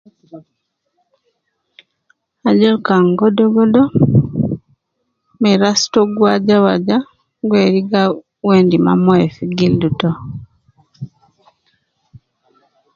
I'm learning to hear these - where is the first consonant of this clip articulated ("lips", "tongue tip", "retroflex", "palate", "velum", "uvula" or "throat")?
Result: palate